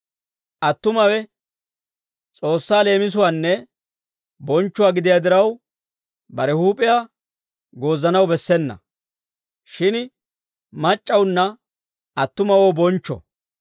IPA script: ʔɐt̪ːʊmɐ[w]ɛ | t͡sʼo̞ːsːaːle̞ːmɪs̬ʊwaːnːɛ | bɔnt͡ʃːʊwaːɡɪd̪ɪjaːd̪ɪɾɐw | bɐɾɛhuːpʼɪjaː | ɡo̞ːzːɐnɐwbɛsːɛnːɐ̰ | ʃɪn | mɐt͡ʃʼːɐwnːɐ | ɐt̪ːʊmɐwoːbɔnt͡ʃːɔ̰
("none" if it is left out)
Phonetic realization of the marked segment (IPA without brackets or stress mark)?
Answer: w